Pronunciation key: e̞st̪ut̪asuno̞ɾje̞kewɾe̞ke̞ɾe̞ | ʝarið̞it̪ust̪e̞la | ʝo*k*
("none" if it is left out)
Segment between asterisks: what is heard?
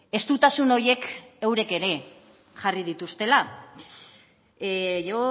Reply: none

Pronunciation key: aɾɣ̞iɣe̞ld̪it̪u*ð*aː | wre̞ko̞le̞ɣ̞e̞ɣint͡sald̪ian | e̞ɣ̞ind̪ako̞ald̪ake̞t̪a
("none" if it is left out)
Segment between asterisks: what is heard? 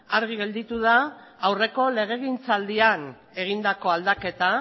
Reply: ð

